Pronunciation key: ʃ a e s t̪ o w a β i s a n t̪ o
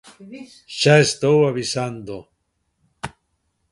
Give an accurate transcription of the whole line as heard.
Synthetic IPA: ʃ a e s t̪ o w a β i s a n d̪ o